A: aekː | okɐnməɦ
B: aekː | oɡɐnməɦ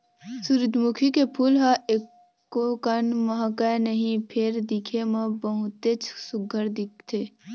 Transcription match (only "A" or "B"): A